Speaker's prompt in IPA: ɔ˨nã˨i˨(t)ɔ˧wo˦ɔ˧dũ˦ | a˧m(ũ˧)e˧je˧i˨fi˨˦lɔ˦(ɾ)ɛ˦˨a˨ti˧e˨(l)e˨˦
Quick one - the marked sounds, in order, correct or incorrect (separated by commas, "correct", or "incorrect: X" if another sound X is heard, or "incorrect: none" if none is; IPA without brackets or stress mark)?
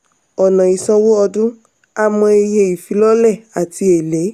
incorrect: s, incorrect: ɔ̃˧, incorrect: l, correct